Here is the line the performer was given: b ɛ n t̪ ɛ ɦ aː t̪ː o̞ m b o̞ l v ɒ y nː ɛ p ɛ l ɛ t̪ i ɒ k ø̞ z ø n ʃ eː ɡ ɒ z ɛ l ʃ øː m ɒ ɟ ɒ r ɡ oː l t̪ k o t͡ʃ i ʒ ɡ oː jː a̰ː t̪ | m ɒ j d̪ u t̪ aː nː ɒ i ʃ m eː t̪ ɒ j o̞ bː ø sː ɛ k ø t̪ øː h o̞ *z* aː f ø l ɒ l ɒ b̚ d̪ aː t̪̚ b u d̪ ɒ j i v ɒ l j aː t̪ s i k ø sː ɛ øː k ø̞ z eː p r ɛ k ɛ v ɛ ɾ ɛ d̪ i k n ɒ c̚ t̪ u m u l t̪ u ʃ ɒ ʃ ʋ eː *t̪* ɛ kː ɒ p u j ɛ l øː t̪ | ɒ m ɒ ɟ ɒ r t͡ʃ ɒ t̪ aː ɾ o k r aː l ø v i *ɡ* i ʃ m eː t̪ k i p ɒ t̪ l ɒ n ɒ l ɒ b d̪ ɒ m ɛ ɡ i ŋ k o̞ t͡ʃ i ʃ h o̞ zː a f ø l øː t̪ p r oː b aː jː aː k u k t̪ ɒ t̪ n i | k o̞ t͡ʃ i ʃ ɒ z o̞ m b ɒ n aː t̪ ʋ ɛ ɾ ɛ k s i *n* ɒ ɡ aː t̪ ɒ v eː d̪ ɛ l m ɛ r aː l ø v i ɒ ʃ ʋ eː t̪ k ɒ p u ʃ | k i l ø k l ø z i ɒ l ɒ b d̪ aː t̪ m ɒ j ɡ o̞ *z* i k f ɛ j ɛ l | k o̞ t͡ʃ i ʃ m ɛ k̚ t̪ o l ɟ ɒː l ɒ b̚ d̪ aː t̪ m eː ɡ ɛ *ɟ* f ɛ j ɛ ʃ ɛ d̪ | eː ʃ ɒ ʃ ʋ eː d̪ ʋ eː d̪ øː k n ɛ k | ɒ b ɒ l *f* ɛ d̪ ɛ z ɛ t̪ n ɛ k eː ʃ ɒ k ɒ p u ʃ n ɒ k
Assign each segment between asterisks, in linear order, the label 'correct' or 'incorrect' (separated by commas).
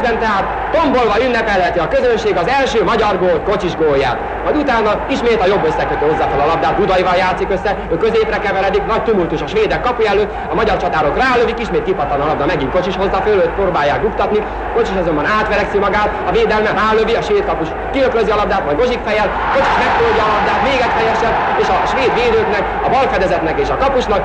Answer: incorrect, incorrect, incorrect, incorrect, incorrect, incorrect, correct